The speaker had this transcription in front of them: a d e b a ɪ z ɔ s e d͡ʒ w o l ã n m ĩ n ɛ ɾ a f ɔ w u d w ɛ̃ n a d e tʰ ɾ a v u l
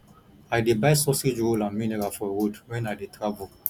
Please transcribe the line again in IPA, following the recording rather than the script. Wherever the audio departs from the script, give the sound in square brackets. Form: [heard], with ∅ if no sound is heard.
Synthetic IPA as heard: a d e b a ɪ [s] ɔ s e d͡ʒ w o l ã n m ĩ n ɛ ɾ a f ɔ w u d w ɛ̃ n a d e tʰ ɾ a v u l